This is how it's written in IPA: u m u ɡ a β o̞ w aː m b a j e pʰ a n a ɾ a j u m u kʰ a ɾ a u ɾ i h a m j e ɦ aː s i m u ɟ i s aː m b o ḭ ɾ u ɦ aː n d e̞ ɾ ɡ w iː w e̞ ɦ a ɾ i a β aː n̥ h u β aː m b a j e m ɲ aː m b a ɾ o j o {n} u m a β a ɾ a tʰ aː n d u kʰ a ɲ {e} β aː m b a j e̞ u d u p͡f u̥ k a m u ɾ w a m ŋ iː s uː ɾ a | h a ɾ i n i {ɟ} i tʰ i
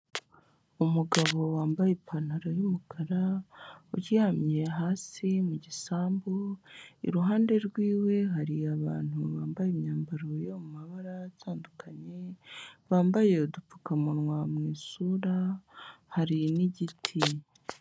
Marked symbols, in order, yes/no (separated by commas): no, yes, yes